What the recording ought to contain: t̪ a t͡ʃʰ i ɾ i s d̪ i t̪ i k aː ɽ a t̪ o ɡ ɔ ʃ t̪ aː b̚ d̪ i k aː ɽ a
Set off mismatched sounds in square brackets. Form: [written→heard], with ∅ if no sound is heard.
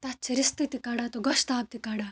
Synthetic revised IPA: t̪ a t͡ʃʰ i ɾ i s [d̪→t̪] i t̪ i k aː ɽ a t̪ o ɡ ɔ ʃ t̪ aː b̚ [d̪→t̪] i k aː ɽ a